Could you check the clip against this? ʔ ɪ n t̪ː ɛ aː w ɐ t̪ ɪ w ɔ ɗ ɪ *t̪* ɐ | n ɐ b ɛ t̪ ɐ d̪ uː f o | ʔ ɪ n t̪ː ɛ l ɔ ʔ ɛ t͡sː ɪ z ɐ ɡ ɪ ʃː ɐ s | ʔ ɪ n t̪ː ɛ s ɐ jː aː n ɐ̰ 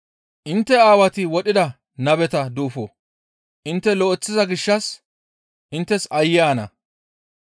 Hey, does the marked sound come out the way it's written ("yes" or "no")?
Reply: no